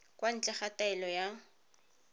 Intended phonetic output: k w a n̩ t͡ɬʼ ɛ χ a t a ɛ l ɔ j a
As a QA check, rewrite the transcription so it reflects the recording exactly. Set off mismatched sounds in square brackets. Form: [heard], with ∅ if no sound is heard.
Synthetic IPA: k w a n̩ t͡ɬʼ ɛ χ a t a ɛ l ɔ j a